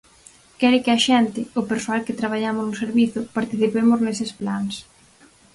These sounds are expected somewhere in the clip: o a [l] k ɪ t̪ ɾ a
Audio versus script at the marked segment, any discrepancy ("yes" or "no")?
no